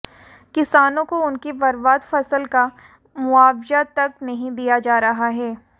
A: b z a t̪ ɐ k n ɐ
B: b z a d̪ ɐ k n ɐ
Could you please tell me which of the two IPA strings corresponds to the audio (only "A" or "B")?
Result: A